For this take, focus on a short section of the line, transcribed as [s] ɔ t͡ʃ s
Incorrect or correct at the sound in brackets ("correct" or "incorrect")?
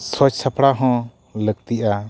correct